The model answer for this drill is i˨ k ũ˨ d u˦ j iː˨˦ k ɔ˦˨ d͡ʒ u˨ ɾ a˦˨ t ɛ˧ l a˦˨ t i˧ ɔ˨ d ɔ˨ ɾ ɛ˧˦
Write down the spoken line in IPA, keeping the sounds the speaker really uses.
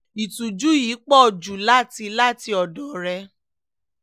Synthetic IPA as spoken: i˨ t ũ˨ d͡ʒ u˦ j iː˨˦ k͡p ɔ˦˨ d͡ʒ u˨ l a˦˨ t i˧ l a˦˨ t i˧ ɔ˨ d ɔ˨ ɾ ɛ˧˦